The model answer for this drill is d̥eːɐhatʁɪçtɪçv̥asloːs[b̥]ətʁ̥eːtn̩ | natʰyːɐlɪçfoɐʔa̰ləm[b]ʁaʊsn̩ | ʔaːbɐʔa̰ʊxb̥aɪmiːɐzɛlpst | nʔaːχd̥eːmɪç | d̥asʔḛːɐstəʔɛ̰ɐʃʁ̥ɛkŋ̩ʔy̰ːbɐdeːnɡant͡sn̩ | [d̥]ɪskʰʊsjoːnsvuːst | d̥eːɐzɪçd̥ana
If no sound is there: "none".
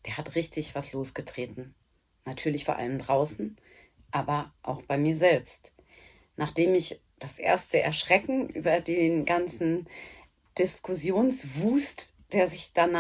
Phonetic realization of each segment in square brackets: ɡ̥, d, d̥

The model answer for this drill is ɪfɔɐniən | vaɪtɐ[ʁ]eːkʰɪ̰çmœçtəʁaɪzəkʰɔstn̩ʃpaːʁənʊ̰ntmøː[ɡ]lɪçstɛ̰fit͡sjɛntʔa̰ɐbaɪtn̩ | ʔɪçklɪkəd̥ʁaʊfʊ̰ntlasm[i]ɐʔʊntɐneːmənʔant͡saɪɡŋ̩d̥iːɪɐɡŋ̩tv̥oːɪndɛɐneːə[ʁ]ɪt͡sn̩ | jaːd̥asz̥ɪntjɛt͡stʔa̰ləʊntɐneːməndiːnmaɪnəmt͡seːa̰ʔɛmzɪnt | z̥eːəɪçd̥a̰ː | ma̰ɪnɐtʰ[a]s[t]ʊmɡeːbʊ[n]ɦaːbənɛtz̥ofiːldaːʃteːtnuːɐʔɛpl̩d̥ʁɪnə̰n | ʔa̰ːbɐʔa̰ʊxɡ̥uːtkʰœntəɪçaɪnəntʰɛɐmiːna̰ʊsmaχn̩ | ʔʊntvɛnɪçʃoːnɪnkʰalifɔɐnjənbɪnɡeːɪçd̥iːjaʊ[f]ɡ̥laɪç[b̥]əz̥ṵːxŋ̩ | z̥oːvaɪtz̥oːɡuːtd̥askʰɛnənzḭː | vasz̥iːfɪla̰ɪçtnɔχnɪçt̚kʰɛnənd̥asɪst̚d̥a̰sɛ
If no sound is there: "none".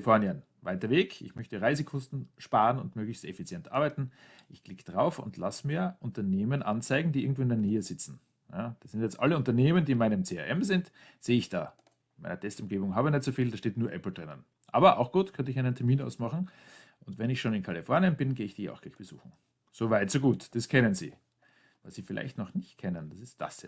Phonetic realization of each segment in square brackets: v, ɡ, iː, z, ɛ, t, ŋ, x, b̥

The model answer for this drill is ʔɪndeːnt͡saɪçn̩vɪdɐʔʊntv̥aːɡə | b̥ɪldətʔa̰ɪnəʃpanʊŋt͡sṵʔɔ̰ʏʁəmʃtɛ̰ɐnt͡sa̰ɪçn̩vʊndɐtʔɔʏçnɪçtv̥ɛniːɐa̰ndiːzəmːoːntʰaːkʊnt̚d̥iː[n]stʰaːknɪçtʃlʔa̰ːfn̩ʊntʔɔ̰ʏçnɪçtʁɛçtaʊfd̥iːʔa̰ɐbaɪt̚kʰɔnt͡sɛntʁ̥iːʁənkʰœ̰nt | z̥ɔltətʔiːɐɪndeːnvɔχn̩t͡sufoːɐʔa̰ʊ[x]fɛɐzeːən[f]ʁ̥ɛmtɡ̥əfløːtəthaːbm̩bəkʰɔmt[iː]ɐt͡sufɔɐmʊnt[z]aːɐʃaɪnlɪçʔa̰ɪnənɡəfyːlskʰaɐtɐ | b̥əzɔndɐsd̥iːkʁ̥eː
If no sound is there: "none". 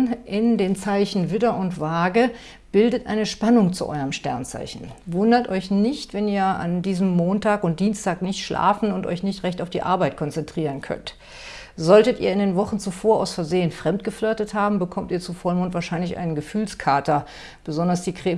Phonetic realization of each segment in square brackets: n, s, f, iː, v

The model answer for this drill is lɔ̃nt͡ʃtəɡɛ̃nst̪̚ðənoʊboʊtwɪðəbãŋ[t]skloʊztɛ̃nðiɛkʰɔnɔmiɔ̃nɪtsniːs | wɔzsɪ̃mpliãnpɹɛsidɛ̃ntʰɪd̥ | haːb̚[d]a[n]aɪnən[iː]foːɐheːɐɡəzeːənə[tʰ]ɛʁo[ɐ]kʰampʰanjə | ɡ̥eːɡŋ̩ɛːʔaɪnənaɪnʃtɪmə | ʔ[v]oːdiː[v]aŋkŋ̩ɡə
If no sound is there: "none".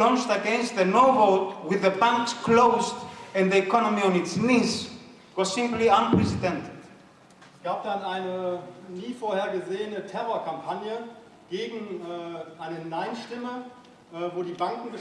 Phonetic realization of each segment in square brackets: k, d, n, iː, tʰ, ɐ, v, b

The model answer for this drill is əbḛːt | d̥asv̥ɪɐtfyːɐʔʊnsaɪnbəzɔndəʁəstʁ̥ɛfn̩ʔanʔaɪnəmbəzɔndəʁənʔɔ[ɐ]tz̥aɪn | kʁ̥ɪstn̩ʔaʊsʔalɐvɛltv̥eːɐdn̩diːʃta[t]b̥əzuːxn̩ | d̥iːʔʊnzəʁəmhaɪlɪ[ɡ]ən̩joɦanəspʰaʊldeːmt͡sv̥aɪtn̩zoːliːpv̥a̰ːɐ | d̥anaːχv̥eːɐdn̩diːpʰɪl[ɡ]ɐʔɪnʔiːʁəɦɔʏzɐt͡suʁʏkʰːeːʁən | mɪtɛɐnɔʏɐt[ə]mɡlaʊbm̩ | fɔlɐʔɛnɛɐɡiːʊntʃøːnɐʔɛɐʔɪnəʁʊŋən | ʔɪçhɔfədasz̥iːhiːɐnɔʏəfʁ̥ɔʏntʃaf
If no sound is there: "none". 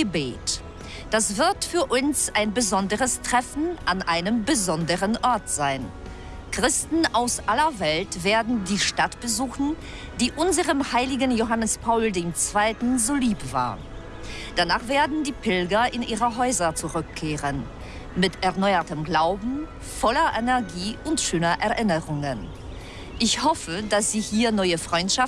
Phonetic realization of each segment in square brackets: ɐ, t, ɡ, ɡ, ə

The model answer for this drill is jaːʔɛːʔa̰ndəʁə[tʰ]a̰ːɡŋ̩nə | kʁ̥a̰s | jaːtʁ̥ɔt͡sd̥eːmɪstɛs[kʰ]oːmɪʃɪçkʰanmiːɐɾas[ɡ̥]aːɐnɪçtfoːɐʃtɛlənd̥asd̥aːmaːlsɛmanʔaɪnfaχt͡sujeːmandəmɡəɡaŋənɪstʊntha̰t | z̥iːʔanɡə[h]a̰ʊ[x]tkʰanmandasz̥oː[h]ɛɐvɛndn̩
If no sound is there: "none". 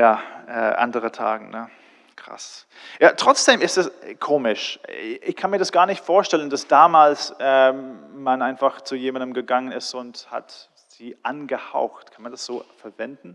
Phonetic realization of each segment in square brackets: tʰ, kʰ, ɡ̥, h, x, f

